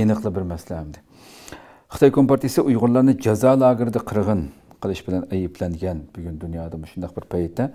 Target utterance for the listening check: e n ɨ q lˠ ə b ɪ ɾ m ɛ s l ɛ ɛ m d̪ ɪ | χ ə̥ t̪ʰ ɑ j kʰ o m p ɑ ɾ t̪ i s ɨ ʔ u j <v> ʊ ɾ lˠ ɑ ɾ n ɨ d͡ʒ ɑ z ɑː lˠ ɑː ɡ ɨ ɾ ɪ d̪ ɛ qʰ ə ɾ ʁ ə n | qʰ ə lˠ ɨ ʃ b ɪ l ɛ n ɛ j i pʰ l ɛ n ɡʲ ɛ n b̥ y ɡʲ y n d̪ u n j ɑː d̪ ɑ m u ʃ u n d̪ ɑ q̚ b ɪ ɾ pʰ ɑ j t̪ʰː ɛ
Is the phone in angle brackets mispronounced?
yes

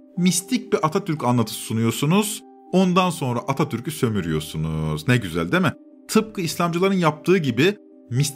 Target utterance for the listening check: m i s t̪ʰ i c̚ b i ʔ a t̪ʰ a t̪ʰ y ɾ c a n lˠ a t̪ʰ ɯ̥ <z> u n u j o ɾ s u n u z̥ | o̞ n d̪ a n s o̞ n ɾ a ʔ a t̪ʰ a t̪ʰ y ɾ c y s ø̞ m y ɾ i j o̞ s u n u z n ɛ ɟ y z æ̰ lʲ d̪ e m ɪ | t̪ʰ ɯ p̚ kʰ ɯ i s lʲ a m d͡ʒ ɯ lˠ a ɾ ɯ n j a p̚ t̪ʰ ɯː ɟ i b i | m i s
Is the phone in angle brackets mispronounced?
yes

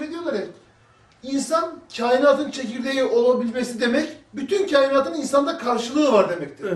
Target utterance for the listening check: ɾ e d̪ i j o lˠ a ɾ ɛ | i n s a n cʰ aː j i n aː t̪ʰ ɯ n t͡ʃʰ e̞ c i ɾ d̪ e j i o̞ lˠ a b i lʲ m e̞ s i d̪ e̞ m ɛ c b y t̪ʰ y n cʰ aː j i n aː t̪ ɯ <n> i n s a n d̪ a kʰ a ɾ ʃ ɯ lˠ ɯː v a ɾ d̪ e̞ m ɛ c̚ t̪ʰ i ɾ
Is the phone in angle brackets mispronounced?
no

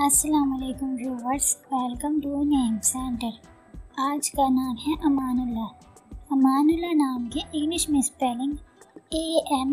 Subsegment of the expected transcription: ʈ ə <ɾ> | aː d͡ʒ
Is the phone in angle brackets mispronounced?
no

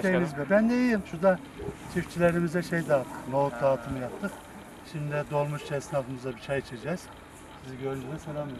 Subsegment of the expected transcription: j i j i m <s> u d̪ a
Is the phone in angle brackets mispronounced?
yes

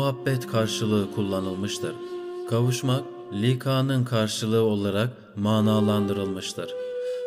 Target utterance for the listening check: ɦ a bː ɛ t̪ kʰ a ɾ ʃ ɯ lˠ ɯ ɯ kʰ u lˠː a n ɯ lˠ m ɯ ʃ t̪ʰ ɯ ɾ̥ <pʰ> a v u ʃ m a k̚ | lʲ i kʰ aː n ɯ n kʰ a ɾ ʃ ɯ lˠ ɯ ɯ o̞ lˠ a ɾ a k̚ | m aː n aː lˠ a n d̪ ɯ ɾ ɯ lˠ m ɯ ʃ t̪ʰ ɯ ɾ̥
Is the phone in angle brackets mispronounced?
yes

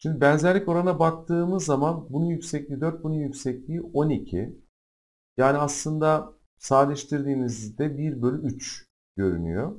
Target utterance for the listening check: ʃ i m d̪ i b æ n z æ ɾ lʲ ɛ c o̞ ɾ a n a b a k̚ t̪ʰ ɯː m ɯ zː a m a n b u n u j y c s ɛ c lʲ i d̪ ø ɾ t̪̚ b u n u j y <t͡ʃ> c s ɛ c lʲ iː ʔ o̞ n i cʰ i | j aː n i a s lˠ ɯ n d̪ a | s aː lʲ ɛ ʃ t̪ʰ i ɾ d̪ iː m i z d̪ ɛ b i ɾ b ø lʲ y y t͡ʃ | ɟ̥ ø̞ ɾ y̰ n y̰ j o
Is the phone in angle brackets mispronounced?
yes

